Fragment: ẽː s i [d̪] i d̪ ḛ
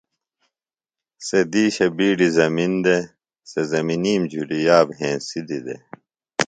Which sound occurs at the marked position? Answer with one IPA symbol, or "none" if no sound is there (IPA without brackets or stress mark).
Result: d̪